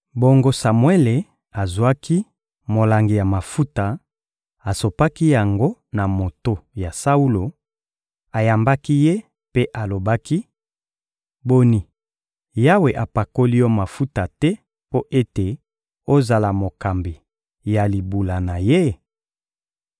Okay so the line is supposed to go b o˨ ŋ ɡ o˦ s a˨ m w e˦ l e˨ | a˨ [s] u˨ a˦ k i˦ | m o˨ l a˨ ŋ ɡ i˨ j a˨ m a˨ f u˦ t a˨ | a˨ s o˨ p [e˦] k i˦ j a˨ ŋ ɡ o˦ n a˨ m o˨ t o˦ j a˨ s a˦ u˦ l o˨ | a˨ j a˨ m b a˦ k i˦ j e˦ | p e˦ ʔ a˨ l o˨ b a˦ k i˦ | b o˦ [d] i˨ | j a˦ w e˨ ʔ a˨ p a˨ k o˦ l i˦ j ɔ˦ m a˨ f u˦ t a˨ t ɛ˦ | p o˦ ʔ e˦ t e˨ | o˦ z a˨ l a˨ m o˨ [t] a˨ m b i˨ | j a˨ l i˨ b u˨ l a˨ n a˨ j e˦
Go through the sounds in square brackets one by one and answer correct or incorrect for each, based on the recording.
incorrect, incorrect, incorrect, incorrect

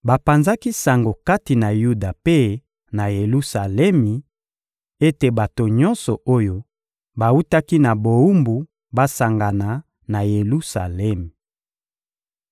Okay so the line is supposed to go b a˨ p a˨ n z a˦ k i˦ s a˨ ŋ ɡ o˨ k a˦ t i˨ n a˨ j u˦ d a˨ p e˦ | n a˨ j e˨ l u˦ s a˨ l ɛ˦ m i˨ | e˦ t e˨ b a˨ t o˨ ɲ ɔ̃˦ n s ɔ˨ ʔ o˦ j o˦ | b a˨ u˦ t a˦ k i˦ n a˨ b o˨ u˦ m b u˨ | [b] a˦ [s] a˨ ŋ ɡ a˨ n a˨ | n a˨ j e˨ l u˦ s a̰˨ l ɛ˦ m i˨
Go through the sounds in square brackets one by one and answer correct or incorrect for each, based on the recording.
correct, correct

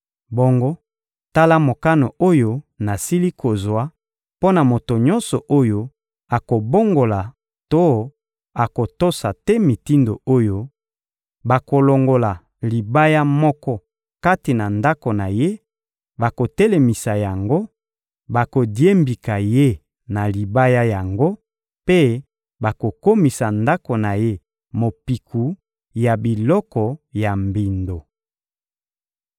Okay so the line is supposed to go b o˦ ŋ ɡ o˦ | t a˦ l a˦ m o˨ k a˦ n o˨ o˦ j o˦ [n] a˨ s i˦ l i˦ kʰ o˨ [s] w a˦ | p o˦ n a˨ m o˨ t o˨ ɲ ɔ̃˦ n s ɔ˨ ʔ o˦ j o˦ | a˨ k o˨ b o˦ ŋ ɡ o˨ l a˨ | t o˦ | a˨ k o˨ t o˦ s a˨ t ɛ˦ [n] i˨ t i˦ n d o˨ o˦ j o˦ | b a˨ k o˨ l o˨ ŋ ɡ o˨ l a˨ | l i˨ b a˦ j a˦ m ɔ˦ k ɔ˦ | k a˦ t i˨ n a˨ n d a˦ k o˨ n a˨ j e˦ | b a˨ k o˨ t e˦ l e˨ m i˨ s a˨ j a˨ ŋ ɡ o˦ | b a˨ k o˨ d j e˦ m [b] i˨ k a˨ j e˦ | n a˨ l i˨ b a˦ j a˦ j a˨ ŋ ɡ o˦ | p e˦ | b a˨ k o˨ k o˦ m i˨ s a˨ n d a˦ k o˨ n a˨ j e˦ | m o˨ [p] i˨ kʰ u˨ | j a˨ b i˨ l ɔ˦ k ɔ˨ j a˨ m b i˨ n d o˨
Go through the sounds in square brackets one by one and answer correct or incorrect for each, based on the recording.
correct, incorrect, incorrect, correct, correct

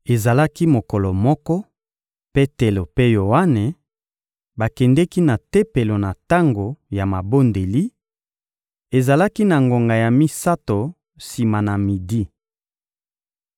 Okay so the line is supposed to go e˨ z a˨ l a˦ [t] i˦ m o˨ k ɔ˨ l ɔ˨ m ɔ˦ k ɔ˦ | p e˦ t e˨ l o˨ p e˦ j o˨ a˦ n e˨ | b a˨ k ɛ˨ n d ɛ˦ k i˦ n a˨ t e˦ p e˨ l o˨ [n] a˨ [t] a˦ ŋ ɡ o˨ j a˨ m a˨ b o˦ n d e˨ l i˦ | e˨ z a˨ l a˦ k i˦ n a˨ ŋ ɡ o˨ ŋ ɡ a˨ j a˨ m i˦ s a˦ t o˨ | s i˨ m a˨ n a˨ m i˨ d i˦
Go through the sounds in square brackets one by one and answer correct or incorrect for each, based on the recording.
incorrect, correct, correct

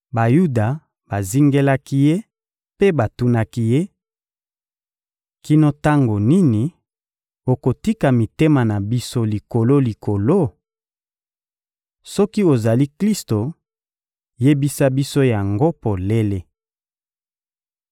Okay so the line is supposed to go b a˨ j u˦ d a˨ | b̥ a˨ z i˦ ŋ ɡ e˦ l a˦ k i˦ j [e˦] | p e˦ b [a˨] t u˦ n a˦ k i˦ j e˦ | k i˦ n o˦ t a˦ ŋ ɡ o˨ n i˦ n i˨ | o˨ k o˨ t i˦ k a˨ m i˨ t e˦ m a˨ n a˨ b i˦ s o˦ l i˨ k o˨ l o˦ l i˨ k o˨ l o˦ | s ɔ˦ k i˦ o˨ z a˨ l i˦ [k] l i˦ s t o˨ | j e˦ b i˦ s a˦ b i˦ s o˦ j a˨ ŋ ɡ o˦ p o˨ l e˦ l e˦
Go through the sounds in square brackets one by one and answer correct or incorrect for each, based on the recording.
correct, correct, correct

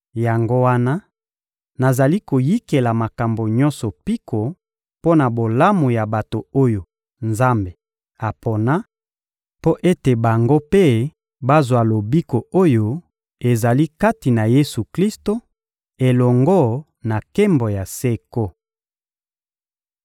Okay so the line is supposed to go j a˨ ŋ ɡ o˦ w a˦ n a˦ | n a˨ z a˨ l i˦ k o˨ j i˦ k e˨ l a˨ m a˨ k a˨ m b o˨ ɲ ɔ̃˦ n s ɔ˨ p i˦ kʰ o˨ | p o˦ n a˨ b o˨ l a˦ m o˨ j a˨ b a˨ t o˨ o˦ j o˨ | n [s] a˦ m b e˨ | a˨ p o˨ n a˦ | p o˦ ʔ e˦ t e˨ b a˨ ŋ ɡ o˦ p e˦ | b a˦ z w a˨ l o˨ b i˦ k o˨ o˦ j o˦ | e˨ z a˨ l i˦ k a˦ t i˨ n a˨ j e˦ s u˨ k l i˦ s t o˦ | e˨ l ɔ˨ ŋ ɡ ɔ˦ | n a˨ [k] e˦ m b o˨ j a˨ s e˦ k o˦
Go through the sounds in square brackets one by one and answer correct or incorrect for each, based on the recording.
incorrect, correct

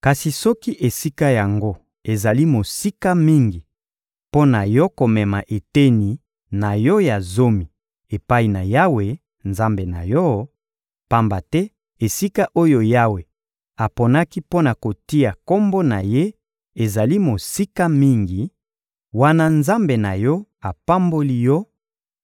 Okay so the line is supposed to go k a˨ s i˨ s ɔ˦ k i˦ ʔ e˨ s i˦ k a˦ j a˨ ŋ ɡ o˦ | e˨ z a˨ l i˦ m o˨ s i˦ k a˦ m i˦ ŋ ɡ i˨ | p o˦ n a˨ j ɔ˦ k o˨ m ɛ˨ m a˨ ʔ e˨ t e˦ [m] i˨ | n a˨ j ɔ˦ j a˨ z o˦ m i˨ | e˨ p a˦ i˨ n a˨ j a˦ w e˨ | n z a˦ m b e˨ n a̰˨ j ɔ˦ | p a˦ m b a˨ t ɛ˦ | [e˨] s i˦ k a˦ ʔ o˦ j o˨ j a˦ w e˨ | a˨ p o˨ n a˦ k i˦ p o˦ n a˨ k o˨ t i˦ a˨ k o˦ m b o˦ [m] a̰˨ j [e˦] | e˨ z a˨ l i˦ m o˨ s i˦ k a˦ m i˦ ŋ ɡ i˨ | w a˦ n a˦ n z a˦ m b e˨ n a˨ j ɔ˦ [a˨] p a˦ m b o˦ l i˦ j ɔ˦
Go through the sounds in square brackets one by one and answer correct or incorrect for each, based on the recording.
incorrect, correct, incorrect, correct, correct

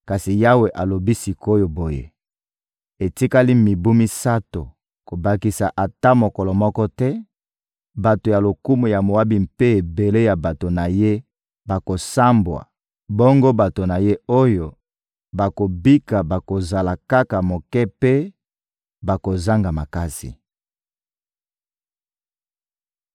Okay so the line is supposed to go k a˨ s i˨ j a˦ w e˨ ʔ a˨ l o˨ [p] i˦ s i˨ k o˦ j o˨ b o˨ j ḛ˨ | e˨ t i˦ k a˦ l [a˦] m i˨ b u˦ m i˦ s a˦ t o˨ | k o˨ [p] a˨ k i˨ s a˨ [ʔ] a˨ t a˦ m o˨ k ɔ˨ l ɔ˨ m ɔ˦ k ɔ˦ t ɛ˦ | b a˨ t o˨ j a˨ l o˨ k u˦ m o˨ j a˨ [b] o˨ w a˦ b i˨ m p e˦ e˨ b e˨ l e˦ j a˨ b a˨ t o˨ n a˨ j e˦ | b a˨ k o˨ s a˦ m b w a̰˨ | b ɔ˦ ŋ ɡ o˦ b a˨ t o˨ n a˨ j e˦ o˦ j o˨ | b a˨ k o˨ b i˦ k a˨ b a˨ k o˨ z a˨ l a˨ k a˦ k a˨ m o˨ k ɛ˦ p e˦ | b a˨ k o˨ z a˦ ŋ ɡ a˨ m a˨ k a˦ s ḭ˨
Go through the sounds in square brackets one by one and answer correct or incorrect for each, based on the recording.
incorrect, incorrect, incorrect, correct, incorrect

